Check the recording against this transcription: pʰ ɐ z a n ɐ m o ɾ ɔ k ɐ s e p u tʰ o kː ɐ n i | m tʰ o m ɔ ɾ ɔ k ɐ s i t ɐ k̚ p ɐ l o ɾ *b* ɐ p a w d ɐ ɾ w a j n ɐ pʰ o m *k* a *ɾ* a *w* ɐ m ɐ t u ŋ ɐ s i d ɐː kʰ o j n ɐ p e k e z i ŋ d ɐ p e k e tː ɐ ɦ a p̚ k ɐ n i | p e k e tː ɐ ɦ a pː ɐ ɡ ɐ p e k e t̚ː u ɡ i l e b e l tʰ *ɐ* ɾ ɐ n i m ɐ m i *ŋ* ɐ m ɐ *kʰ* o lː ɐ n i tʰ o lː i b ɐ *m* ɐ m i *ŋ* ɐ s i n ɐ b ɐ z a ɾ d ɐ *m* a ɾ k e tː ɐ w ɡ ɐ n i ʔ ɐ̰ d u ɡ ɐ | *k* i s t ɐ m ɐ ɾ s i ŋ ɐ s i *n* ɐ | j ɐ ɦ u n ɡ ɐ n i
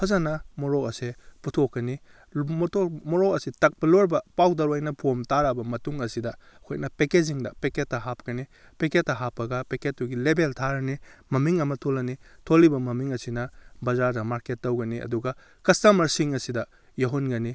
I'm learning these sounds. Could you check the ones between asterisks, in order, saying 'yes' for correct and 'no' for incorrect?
yes, no, yes, no, no, yes, no, yes, yes, yes, yes, no

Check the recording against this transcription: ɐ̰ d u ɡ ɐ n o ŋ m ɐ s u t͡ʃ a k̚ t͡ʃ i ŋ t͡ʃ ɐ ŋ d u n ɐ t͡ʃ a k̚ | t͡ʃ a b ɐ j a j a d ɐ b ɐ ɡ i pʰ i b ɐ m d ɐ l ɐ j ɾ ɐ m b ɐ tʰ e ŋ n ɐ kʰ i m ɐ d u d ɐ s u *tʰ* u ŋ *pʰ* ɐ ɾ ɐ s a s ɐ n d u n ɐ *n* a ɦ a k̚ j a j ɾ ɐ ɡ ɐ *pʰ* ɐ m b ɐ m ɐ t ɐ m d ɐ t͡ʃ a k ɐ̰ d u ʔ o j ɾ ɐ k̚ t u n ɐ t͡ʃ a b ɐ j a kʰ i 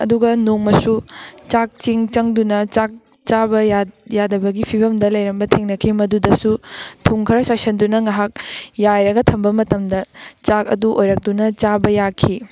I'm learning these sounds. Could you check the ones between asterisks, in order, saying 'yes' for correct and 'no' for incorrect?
yes, no, no, no

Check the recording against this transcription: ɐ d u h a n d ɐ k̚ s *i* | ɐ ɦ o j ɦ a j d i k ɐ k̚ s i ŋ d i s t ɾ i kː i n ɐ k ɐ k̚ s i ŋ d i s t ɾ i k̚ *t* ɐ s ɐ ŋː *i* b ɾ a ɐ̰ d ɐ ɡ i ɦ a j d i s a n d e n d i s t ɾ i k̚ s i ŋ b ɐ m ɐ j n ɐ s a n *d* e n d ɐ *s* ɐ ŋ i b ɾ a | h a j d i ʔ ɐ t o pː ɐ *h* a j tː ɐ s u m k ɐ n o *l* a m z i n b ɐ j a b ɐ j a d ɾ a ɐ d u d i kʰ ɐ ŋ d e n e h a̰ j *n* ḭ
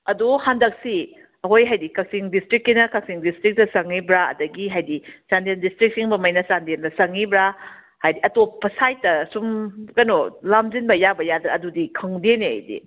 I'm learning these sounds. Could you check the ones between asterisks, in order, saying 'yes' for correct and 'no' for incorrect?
yes, yes, yes, yes, yes, no, yes, no

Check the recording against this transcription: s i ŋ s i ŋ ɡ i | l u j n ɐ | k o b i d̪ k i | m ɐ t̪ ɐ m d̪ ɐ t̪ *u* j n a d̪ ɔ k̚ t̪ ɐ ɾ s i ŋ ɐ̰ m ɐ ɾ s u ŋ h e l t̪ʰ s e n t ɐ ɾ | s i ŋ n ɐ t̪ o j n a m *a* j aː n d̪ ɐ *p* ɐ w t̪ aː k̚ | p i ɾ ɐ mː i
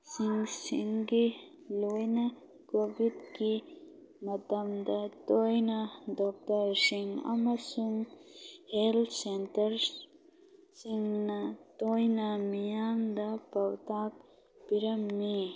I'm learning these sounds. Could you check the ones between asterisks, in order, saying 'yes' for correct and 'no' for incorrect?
no, no, yes

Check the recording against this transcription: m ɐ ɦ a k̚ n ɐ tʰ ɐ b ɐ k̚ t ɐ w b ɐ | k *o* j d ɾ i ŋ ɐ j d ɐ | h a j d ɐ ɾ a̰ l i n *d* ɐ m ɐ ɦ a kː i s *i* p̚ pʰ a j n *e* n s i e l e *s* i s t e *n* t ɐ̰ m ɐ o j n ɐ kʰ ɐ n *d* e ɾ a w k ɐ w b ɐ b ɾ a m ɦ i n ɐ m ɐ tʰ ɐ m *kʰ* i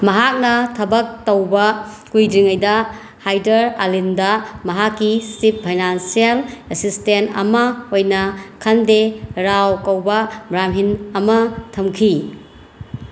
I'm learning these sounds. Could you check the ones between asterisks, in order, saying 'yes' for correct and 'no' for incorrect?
no, yes, yes, no, yes, yes, yes, yes

